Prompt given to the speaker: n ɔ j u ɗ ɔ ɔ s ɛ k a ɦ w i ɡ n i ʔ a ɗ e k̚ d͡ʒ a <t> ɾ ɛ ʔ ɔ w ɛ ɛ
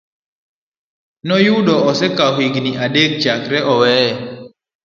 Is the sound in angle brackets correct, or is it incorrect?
incorrect